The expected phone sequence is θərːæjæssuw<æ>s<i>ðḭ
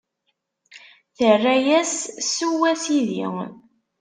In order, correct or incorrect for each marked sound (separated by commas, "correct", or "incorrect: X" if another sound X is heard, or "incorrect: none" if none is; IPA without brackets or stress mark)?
correct, correct